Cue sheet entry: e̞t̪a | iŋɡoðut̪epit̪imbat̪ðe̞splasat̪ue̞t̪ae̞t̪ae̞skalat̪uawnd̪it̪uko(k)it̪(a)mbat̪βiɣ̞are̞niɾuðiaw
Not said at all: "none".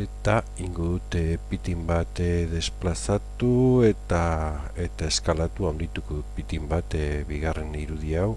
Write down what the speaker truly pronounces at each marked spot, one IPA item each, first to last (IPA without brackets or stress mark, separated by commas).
p, i